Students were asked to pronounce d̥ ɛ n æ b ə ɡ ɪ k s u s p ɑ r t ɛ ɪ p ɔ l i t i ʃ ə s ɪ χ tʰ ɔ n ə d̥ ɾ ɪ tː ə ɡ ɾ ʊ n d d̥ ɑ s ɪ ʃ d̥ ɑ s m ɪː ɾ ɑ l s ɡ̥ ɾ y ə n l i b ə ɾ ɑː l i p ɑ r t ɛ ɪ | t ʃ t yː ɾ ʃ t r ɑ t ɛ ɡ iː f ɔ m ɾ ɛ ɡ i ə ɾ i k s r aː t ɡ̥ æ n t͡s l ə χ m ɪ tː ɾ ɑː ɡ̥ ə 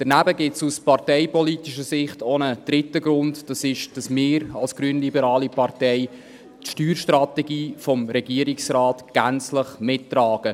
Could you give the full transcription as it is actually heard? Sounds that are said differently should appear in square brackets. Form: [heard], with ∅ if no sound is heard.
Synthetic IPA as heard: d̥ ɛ n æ b ə ɡ ɪ [t] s u s p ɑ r t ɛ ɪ p ɔ l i t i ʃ ə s ɪ χ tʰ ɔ n ə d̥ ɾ ɪ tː ə ɡ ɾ ʊ n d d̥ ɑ s ɪ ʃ d̥ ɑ s m ɪː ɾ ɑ l s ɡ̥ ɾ y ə n l i b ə ɾ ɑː l i p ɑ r t ɛ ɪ | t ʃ t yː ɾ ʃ t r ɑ t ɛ ɡ iː f ɔ m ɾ ɛ ɡ i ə ɾ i k s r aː t ɡ̥ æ n t͡s l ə χ m ɪ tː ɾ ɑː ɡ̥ ə